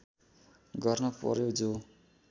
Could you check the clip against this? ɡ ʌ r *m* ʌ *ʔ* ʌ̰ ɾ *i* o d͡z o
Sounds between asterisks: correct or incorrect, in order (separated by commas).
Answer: incorrect, incorrect, incorrect